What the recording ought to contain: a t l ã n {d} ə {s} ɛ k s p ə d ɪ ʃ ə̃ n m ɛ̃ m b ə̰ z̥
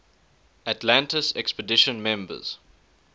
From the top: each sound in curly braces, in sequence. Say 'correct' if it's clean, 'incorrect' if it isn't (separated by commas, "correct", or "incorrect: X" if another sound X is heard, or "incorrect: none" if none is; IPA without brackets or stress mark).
incorrect: t, correct